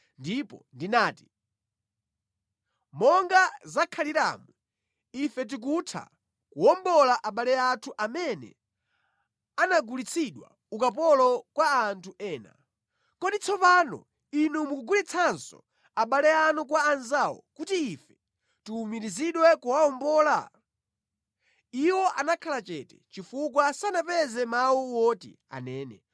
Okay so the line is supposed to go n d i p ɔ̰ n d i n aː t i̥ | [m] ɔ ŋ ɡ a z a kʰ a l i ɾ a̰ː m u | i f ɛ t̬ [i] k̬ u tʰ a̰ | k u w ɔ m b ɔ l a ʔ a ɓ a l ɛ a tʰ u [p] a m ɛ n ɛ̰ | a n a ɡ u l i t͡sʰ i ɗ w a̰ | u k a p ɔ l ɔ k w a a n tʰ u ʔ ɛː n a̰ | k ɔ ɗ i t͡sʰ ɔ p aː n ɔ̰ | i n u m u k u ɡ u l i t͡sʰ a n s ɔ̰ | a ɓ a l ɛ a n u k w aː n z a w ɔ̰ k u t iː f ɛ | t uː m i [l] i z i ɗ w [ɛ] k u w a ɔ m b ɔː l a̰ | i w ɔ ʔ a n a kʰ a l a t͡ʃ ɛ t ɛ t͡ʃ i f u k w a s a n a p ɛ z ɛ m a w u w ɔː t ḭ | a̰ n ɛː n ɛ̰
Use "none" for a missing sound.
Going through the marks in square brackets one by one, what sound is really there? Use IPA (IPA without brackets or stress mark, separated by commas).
m, i, ʔ, ɾ, ɛ